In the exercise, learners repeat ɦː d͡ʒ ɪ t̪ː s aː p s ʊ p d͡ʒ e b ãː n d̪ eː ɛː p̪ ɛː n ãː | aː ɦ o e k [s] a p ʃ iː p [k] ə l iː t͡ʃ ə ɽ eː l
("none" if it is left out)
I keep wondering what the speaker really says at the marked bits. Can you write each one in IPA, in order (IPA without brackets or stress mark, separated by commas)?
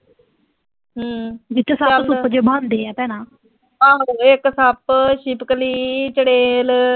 s, k